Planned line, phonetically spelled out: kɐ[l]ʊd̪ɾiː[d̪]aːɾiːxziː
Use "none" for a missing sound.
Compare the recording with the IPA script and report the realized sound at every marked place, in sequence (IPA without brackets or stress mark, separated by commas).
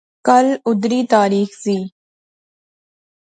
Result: l, t̪